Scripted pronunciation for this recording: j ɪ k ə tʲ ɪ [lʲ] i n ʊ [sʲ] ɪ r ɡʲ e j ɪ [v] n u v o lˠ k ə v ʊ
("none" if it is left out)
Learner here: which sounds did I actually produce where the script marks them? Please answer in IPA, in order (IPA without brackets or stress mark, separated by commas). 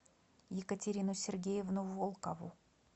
ɾʲ, sʲ, v